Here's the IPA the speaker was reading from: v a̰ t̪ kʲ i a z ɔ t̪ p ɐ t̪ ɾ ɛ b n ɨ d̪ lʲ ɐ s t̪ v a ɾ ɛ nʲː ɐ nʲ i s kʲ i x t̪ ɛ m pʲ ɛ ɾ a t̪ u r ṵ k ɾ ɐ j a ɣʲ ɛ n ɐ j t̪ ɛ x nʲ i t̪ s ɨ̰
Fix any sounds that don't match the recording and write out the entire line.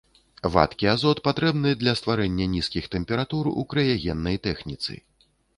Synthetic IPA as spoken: v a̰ t̪ kʲ i a z ɔ t̪ p a t̪ ɾ ɛ b n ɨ d̪ lʲ ɐ s t̪ v a ɾ ɛ nʲː ɐ nʲ i s kʲ i x t̪ ɛ m pʲ ɛ ɾ a t̪ u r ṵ k ɾ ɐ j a ɣʲ ɛ nː ɐ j t̪ ɛ x nʲ i t̪ s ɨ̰